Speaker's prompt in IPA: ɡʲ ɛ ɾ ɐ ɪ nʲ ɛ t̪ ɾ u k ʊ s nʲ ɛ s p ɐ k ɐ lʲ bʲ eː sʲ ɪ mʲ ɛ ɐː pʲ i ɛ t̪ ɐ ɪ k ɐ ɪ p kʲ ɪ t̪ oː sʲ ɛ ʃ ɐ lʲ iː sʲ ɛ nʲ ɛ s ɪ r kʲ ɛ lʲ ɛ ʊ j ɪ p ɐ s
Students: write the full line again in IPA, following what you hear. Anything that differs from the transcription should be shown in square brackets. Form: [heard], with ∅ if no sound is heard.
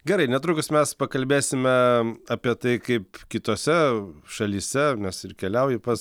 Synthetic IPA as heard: ɡʲ ɛ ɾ ɐ ɪ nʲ ɛ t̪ ɾ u k ʊ s [mʲ] ɛ s p ɐ k ɐ lʲ bʲ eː sʲ ɪ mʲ ɛ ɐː pʲ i ɛ t̪ ɐ ɪ k ɐ ɪ p kʲ ɪ t̪ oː sʲ ɛ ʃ ɐ lʲ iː sʲ ɛ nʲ ɛ s ɪ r kʲ ɛ lʲ ɛ ʊ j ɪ p ɐ s